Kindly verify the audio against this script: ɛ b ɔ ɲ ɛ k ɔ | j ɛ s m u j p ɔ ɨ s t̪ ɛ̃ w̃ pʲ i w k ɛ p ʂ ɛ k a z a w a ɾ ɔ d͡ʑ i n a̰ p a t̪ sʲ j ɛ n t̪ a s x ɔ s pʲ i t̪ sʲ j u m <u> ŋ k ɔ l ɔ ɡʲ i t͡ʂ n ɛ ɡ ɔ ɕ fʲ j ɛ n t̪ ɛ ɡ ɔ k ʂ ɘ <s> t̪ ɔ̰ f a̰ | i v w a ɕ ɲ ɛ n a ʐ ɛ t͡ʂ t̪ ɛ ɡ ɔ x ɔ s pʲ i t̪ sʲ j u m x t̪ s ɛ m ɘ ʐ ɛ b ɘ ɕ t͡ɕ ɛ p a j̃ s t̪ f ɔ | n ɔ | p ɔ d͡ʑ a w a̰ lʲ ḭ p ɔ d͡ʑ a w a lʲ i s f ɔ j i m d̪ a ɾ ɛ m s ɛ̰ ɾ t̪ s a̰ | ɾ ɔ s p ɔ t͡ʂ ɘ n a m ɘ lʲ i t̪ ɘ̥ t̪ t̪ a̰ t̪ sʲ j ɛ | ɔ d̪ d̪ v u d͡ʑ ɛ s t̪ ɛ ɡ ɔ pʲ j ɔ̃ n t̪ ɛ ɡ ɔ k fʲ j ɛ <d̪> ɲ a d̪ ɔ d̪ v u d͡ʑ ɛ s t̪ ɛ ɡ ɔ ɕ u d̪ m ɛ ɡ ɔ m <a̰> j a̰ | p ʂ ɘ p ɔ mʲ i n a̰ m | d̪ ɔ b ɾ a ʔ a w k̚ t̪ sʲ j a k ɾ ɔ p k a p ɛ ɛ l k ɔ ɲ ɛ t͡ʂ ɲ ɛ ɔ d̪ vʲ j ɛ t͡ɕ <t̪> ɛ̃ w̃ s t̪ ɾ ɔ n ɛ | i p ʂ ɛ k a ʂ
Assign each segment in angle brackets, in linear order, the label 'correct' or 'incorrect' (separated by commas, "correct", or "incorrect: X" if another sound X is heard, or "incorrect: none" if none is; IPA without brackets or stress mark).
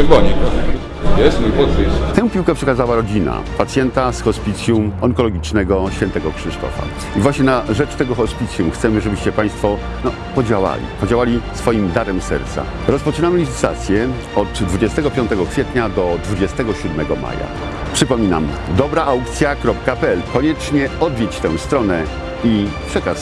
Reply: incorrect: ɔ, incorrect: ʂ, incorrect: t̪, correct, correct